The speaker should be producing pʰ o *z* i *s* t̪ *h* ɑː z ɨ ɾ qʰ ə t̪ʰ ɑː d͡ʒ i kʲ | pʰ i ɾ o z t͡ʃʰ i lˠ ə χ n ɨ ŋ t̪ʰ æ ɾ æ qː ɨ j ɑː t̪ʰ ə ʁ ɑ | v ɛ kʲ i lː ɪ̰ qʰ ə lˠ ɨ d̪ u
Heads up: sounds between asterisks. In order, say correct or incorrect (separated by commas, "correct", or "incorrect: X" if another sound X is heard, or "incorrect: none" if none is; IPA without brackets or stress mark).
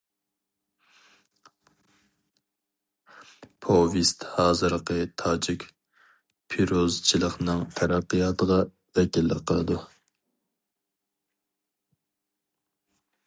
incorrect: v, correct, correct